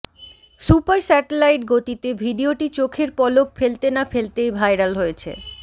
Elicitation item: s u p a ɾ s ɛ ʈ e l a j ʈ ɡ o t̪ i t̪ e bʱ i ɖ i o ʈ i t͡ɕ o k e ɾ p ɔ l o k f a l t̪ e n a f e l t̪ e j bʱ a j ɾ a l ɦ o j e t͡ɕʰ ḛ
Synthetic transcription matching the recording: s u p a ɾ s ɛ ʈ e l a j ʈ ɡ o t̪ i t̪ e bʱ i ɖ i o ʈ i t͡ɕ o kʰ e ɾ p ɔ l o k f e l t̪ e n a f e l t̪ e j bʱ a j ɾ a l ɦ o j e t͡ɕʰ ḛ